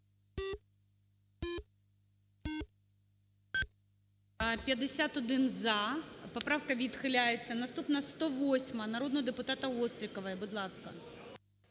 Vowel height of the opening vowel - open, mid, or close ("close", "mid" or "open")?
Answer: open